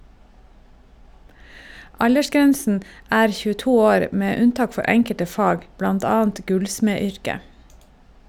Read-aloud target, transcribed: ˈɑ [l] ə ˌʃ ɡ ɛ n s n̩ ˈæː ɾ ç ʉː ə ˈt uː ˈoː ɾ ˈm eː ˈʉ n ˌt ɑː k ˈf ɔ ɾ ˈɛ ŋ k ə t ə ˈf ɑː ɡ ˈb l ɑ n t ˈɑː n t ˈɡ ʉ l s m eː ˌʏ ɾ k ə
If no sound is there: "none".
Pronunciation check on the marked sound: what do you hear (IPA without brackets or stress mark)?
ʎ